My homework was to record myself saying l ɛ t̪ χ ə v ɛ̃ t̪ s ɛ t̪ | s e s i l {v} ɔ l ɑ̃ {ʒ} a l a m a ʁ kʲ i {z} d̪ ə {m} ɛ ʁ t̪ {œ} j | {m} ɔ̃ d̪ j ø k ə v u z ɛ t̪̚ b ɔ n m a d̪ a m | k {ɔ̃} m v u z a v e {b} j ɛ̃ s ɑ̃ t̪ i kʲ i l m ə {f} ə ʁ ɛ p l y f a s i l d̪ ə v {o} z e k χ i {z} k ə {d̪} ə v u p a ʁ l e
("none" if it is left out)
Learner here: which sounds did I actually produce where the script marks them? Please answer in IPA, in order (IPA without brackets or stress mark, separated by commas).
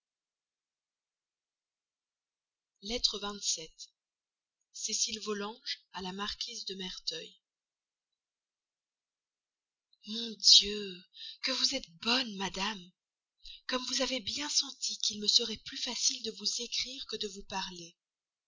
v, ʒ, z, m, œ, m, ɔ, b, s, u, ʁ, d̪